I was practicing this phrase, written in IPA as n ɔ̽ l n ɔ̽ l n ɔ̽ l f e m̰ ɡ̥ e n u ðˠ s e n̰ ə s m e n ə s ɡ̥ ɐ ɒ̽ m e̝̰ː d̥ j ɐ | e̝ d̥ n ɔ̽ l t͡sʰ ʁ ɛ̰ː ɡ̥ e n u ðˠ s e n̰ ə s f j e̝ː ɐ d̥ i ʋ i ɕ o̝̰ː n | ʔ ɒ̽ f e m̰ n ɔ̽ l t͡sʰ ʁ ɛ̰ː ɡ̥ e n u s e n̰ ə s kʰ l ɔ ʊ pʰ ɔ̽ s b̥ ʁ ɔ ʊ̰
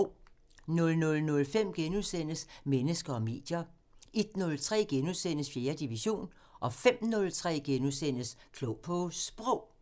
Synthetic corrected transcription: n ɔ̽ l n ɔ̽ l n ɔ̽ l f e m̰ ɡ̥ e n u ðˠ s e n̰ ə s m e n ə s ɡ̥ ɐ ɒ̽ m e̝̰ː d̥ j ɐ | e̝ d̥ n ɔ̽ l t͡sʰ ʁ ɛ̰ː ɡ̥ e n u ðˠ s e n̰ ə s f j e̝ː ɐ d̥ i ʋ i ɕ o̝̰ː n | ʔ ɒ̽ f e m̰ n ɔ̽ l t͡sʰ ʁ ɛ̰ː ɡ̥ e n u s e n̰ ə s kʰ l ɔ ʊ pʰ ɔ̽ s b̥ ʁ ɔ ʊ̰